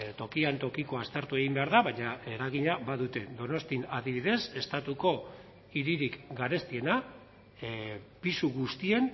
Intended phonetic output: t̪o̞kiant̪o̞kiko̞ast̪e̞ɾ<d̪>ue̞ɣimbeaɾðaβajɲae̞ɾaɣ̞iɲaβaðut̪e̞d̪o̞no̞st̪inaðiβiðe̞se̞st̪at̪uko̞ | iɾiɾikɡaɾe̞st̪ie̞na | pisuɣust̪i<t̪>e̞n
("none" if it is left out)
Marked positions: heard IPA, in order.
t̪, none

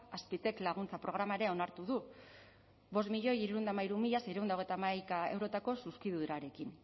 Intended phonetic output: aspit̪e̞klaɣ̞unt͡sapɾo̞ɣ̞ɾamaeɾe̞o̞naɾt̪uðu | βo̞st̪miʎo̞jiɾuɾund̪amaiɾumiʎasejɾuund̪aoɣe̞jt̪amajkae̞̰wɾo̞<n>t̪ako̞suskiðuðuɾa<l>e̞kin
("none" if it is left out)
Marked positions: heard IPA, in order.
none, ɾ

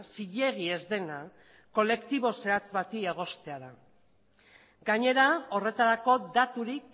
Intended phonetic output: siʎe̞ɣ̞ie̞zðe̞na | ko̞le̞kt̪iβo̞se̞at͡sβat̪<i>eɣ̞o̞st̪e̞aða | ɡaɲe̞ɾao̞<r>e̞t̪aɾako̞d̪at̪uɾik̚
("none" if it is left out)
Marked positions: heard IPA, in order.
i, r

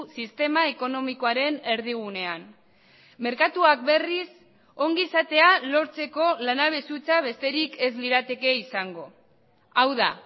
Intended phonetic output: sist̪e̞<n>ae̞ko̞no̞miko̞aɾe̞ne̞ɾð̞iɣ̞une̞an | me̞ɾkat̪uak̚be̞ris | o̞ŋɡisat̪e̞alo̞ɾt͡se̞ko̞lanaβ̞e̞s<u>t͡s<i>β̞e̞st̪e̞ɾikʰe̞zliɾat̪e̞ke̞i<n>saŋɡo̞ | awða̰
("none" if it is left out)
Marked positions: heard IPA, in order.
m, u, a, none

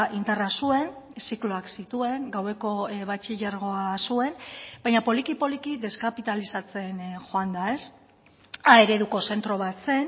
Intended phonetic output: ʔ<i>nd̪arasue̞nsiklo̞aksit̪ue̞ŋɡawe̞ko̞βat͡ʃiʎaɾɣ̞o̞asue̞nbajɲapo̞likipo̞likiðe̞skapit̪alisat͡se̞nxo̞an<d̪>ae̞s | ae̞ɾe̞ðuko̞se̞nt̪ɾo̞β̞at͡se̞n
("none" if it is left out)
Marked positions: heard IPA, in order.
i, d̪

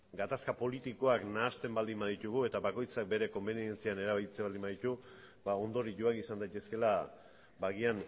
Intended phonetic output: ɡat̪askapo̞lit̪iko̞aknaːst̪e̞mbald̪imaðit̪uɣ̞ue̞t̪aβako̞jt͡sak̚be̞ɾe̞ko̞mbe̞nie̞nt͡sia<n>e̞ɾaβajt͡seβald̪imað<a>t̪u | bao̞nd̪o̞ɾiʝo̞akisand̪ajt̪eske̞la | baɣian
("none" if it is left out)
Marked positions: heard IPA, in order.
n, i

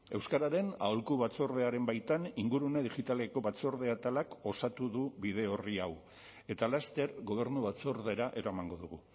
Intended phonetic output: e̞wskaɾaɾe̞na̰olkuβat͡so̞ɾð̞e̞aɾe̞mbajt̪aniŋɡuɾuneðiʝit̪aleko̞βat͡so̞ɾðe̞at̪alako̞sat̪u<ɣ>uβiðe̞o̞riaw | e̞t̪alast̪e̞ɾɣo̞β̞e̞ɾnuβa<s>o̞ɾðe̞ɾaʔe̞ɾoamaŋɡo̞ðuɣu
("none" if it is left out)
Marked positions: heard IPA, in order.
ð, t͡s

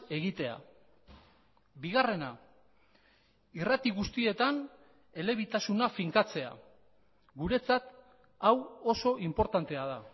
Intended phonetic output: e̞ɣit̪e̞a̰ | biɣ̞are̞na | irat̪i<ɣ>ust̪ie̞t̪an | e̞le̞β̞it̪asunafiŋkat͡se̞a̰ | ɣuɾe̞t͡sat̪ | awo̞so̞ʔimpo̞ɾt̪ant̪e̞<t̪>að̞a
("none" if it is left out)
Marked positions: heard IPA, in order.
ɣ, none

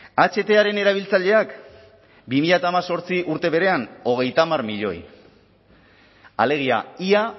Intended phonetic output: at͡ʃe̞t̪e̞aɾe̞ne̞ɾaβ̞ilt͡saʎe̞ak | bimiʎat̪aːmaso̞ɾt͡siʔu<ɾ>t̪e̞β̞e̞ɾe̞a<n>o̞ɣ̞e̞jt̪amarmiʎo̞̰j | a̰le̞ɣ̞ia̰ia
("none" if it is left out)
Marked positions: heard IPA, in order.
ɾ, n

